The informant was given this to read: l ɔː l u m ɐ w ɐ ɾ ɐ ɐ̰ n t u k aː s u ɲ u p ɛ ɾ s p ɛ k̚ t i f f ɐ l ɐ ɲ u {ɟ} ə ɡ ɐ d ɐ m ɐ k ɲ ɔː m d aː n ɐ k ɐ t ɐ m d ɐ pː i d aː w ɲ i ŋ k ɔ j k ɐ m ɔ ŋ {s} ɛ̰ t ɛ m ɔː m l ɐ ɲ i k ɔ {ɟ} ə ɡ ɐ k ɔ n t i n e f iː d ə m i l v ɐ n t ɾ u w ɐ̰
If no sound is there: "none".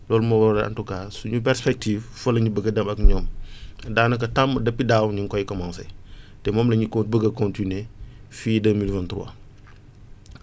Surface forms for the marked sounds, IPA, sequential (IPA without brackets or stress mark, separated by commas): b, s, b